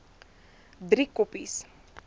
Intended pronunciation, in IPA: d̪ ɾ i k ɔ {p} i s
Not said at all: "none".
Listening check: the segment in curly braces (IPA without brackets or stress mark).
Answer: p